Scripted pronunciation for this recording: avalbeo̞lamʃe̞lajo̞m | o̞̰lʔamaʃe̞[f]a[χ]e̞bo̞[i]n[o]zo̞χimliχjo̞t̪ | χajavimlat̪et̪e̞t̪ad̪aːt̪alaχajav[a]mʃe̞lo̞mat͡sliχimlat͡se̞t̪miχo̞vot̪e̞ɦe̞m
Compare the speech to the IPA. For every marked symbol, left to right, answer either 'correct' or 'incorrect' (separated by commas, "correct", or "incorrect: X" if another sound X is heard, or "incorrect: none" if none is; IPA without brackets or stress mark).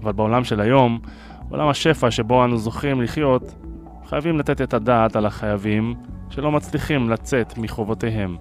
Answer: correct, incorrect: ʃ, incorrect: a, incorrect: u, incorrect: i